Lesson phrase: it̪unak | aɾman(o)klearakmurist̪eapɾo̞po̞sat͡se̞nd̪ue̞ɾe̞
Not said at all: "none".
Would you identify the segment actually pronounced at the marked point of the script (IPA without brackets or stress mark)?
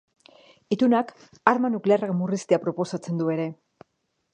u